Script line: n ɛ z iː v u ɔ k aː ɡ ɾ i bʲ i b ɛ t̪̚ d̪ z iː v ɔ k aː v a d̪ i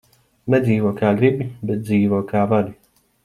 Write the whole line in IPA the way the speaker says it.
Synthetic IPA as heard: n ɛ z iː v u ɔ k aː ɡ ɾ i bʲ i b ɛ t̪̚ d̪ z iː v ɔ k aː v a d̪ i